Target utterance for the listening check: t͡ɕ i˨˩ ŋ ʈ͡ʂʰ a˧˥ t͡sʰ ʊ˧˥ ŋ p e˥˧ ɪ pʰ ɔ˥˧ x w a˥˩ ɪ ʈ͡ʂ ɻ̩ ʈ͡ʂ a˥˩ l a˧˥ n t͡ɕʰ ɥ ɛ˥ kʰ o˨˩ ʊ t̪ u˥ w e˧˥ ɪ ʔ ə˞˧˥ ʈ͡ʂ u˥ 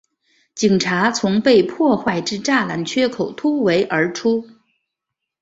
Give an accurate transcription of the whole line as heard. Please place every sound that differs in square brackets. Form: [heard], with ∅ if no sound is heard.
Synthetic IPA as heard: t͡ɕ i˨˩ ŋ ʈ͡ʂʰ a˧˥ t͡sʰ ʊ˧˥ ŋ p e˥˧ ɪ pʰ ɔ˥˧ x w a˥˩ ɪ ʈ͡ʂ ɻ̩ ʈ͡ʂ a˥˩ l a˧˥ n t͡ɕʰ ɥ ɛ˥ kʰ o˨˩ ʊ [t̪ʰ] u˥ w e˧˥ ɪ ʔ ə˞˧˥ [ʈ͡ʂʰ] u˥